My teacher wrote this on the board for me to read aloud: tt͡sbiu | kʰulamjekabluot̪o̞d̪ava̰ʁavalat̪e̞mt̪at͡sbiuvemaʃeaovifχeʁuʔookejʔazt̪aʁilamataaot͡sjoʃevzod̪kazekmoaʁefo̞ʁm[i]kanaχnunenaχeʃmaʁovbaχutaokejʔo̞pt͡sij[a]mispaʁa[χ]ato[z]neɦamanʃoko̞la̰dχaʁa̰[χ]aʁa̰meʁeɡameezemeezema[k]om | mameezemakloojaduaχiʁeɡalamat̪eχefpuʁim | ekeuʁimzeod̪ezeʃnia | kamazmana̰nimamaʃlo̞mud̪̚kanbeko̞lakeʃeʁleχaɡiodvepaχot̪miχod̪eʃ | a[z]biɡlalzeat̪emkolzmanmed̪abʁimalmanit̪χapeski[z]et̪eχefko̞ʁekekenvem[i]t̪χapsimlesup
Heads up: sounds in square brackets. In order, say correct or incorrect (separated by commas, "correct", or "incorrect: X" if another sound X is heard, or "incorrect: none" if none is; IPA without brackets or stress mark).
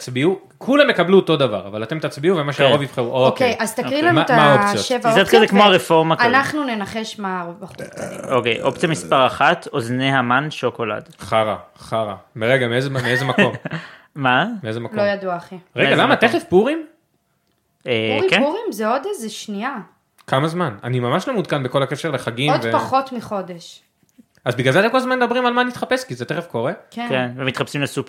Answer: incorrect: a, correct, correct, correct, correct, correct, correct, correct, correct